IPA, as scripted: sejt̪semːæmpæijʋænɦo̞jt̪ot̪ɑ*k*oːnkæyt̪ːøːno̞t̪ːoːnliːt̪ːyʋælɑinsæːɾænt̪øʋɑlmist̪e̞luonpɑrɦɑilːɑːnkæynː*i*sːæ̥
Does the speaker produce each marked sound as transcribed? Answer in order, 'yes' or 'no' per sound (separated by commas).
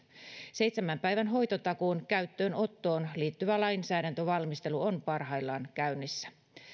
yes, yes